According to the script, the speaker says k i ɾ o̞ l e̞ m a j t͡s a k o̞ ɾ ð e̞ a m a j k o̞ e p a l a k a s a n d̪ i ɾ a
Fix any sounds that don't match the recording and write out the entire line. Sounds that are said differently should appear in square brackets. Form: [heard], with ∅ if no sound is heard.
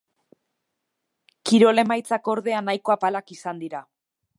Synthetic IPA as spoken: k i ɾ o̞ l e̞ m a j t͡s a k o̞ ɾ ð e̞ a [n] a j k o̞ [a] p a l a k [i] s a n d̪ i ɾ a